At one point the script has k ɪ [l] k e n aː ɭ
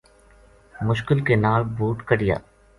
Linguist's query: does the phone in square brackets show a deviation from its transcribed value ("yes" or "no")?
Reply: no